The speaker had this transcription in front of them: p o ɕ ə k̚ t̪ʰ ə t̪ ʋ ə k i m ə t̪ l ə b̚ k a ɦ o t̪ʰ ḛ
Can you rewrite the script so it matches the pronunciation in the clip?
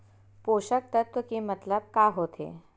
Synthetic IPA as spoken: p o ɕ ə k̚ t̪ ə t̪ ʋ ə k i m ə t̪ l ə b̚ k a ɦ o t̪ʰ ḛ